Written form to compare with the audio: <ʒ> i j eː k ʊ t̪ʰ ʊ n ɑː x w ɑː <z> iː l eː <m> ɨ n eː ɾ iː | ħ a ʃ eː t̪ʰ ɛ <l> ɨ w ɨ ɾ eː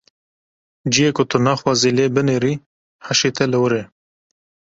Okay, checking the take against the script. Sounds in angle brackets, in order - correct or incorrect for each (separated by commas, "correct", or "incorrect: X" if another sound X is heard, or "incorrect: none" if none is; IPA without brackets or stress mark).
incorrect: d͡ʒ, correct, incorrect: b, correct